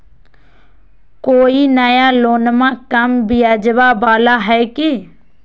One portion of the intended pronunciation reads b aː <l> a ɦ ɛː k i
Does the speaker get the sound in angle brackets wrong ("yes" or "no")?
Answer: no